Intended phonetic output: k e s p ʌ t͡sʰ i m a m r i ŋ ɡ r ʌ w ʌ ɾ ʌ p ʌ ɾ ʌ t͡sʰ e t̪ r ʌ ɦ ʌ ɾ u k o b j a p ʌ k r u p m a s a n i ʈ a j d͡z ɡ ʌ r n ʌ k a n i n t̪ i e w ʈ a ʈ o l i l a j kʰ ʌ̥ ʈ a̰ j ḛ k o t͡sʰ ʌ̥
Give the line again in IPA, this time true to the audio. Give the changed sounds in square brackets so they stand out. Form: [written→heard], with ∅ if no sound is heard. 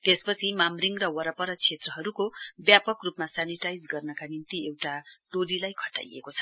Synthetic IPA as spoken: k e s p ʌ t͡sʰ i m a m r i ŋ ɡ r ʌ w ʌ ɾ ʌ p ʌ ɾ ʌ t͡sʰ e t̪ r ʌ ɦ ʌ ɾ u k o b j a p ʌ k r u p m a s a n i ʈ a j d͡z ɡ ʌ r n ʌ k a n i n t̪ i e w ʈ a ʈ o l i l a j kʰ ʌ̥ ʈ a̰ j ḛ k o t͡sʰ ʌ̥